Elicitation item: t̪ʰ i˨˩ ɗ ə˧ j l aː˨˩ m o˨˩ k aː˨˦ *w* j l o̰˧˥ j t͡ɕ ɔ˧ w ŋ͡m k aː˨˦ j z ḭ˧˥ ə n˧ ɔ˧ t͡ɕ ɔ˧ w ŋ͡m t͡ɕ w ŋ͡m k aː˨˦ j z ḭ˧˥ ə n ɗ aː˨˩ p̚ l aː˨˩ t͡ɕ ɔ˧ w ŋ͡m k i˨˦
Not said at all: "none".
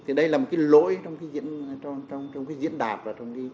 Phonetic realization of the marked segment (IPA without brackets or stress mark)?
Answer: none